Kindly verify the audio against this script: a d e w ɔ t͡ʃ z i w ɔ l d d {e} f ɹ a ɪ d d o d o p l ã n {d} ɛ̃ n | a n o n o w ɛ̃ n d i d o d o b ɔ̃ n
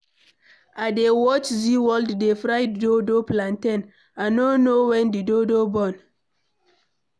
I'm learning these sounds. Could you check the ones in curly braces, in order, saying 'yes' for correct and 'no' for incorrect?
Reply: yes, no

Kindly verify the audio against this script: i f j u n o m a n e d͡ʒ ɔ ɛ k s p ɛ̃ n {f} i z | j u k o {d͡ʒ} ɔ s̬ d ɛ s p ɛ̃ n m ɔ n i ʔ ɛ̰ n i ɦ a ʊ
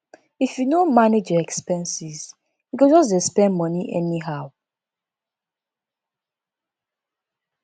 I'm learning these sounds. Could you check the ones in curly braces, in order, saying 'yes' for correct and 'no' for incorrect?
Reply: no, yes

